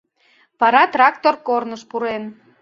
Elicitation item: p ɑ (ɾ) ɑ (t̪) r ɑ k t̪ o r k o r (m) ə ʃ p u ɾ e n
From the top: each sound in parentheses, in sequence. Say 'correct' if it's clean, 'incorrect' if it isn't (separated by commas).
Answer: correct, correct, incorrect